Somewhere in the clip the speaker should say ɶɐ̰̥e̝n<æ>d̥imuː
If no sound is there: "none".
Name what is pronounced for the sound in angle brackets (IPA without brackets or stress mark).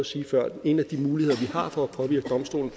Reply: æ